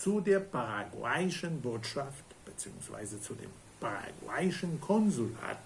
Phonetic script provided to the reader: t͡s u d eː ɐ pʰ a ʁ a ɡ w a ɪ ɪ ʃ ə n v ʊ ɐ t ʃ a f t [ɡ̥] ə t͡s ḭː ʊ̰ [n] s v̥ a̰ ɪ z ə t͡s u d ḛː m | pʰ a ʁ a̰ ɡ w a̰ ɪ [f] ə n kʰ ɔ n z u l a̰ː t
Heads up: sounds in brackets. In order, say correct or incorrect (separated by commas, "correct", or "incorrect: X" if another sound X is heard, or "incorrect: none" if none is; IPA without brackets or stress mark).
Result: incorrect: b̥, incorrect: ŋ, incorrect: ʃ